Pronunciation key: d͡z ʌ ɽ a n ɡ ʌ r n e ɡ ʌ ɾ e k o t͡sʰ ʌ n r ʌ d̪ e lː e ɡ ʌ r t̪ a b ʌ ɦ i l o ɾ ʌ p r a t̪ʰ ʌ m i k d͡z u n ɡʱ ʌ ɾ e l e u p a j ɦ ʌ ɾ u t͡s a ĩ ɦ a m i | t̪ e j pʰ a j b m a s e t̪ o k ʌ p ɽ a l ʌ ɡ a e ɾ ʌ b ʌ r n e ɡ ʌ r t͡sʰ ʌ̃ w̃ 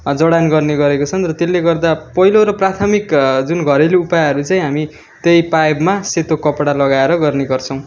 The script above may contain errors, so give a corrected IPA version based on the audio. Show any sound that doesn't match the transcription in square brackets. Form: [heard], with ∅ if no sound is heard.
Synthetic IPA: d͡z ʌ ɽ a n ɡ ʌ r n e ɡ ʌ ɾ e k o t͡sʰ ʌ n r ʌ [t̪] e lː e ɡ ʌ r [d̪] a [p] ʌ ɦ i l o ɾ ʌ p r a t̪ʰ ʌ m i k d͡z u n ɡʱ ʌ ɾ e l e u p a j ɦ ʌ ɾ u t͡s a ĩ ɦ a m i | t̪ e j [p] a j b m a s e t̪ o k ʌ p ɽ a l ʌ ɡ a e ɾ ʌ [ɡ] ʌ r n e ɡ ʌ r t͡sʰ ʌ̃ w̃